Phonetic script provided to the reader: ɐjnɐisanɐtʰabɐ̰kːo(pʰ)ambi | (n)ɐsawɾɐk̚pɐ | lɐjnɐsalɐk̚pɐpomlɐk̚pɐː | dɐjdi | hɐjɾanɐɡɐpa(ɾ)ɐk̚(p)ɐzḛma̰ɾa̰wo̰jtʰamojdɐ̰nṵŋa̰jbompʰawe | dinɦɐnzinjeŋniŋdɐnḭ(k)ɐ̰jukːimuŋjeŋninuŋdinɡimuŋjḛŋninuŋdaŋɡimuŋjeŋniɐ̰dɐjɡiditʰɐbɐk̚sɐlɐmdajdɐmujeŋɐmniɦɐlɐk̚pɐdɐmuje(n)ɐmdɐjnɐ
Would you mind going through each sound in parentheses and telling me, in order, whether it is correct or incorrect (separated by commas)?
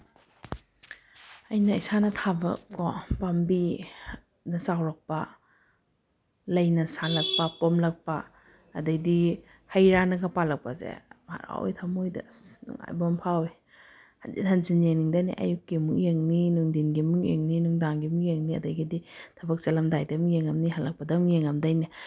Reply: incorrect, correct, incorrect, correct, incorrect, incorrect